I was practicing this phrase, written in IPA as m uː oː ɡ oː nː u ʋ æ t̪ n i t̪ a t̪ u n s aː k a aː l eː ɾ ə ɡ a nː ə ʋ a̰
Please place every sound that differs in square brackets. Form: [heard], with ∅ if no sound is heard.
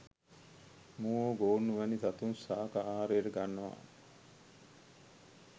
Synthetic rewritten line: m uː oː ɡ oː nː u ʋ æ [∅] n i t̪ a t̪ u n s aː k a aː [ɾ] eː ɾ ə ɡ a nː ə ʋ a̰